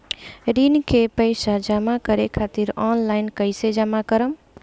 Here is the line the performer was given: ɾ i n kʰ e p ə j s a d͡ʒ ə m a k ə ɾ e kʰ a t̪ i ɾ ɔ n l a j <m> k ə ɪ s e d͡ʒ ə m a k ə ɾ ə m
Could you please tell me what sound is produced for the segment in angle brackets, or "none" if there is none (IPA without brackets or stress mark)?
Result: n